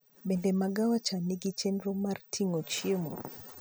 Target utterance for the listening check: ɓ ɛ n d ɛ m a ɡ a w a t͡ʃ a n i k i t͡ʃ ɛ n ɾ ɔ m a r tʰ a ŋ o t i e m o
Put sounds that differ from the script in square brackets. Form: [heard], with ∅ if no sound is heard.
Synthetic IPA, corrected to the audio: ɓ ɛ n d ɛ m a ɡ a w a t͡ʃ a n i [ɡ] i t͡ʃ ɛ n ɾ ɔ m a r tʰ [i] ŋ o [t͡ʃ] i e m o